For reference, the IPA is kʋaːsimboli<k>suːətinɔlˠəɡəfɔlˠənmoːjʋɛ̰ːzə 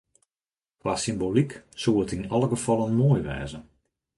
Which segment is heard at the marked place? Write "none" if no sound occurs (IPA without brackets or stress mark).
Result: k